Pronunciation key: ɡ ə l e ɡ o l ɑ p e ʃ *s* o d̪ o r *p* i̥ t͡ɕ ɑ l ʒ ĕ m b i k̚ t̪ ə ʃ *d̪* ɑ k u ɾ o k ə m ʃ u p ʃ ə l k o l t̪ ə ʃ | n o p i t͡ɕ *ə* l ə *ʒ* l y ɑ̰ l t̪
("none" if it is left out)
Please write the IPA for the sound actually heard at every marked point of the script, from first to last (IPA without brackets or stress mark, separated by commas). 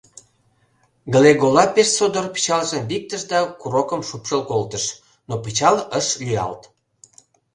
s, p, d̪, ɑ, ʃ